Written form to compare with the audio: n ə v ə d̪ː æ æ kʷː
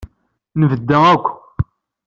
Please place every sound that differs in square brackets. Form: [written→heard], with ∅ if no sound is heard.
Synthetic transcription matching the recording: n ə v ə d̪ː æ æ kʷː